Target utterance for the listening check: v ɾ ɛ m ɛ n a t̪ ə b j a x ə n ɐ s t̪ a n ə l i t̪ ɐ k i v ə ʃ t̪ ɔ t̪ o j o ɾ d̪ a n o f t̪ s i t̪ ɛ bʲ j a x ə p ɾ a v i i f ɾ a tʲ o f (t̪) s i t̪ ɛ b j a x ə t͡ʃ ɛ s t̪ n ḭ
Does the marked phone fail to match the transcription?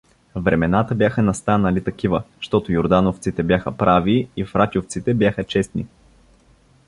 no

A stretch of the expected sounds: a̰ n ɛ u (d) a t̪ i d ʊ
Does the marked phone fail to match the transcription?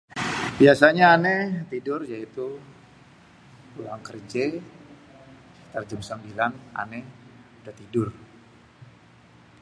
no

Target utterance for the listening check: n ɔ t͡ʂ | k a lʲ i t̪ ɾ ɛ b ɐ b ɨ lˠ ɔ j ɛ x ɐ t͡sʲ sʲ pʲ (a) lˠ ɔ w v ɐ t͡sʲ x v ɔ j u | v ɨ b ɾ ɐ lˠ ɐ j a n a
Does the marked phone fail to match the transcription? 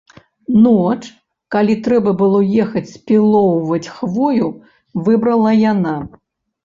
yes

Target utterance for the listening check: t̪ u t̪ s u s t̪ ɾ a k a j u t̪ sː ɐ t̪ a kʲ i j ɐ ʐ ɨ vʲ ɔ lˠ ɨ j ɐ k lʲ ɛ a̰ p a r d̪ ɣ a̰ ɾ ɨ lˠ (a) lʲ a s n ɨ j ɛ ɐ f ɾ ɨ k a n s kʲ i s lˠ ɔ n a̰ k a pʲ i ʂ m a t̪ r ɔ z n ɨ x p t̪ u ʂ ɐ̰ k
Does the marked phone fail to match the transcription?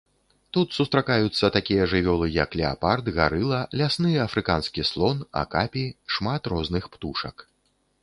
yes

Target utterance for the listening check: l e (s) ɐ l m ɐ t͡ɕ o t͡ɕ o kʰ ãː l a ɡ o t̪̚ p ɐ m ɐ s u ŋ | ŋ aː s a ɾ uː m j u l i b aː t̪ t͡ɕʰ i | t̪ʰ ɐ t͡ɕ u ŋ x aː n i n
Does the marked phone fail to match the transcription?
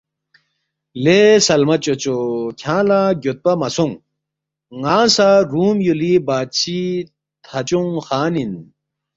no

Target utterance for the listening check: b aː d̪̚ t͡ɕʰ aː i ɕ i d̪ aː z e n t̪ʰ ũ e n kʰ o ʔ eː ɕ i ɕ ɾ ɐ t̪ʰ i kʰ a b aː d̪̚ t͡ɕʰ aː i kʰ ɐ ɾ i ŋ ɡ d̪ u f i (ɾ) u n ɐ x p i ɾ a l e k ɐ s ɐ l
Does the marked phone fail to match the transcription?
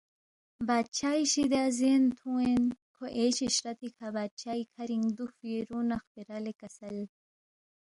no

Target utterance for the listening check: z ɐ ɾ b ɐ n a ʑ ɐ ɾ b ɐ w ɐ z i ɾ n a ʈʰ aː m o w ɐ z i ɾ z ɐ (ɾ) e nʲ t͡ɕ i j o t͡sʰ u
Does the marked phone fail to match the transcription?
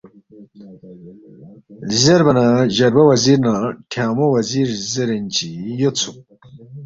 no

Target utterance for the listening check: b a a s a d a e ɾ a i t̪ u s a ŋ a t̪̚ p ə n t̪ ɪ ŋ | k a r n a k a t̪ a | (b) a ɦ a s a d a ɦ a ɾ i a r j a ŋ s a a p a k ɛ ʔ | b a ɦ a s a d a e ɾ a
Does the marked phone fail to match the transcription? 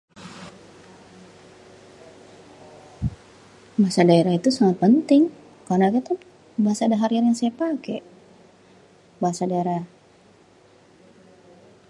no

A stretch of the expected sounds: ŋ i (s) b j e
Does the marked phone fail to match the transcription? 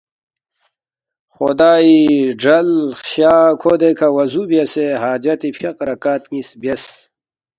no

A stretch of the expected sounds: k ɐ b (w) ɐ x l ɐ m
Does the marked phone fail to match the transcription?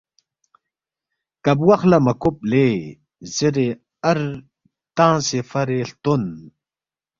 no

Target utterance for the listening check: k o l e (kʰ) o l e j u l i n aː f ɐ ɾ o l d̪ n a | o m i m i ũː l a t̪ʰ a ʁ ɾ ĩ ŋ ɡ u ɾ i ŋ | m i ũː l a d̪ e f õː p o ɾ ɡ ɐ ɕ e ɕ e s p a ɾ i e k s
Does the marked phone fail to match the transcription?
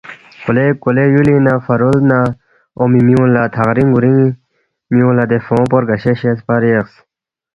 yes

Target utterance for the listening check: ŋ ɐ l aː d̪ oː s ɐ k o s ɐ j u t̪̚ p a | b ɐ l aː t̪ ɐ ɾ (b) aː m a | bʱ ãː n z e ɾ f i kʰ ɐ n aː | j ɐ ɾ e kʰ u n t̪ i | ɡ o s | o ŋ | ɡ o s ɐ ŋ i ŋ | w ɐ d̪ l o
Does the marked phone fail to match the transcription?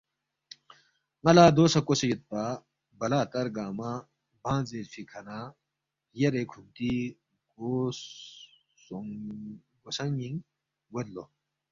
yes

